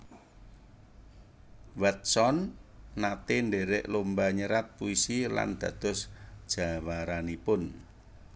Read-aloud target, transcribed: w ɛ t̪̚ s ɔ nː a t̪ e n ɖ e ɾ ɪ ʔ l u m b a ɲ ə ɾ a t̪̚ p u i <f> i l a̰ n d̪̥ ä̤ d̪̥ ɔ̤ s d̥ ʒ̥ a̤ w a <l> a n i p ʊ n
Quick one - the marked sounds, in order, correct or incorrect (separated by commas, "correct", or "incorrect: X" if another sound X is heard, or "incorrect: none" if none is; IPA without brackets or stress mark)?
incorrect: s, incorrect: ɾ